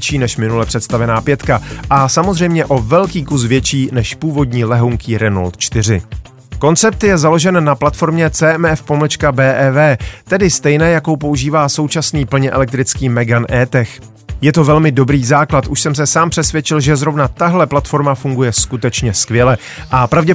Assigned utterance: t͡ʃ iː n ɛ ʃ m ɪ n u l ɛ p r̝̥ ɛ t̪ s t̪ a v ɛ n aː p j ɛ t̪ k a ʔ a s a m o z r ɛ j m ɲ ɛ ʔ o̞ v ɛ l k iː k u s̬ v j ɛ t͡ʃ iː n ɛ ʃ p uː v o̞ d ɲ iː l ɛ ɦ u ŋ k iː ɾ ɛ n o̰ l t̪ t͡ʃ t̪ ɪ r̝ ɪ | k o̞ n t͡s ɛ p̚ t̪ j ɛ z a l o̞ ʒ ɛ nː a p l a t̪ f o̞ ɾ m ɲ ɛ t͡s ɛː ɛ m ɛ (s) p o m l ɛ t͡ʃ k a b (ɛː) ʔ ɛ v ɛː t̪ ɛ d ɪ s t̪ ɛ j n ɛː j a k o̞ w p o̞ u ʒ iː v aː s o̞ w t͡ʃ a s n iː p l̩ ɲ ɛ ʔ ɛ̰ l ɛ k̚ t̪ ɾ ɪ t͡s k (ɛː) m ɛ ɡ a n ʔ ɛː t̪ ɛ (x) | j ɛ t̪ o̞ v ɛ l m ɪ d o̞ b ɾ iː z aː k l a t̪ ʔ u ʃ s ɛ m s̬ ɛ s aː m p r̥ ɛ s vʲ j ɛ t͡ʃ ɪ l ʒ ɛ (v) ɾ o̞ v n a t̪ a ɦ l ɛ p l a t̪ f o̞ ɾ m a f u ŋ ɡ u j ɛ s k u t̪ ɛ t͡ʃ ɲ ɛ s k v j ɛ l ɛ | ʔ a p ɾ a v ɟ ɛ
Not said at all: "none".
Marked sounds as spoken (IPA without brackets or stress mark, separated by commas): f, ɛː, iː, x, z